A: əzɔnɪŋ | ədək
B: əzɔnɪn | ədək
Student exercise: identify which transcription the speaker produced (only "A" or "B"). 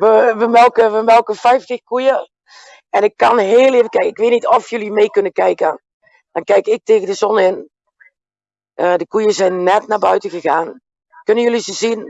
B